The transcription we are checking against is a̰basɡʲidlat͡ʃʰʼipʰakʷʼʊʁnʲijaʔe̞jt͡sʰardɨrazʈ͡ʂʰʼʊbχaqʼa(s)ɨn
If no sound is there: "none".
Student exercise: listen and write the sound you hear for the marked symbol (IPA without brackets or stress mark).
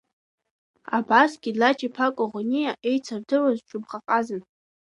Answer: z